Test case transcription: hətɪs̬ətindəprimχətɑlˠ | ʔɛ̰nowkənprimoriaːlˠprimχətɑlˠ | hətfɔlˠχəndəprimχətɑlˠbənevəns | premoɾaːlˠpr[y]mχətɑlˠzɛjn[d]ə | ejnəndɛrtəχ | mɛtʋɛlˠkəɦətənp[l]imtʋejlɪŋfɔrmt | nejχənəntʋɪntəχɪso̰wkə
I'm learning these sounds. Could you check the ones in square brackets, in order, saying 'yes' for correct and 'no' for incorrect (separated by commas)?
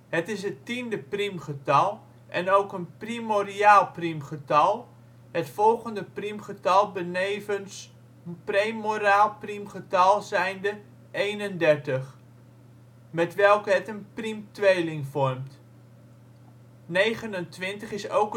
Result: no, yes, no